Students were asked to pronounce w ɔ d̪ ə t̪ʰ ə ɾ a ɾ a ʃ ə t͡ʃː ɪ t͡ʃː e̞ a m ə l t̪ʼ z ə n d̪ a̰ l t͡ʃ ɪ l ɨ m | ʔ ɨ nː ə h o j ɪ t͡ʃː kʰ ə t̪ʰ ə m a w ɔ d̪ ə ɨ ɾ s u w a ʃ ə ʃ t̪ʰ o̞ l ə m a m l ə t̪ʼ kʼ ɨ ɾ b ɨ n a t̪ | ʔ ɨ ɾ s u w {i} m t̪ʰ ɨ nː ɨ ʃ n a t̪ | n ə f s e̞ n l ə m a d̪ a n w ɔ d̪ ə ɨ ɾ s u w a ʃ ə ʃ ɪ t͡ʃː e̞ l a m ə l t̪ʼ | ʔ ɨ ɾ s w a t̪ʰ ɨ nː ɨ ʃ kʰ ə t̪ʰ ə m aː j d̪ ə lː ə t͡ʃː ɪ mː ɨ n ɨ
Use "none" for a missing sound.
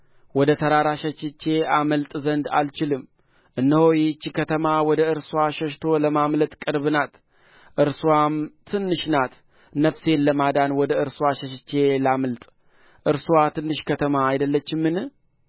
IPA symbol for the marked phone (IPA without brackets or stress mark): a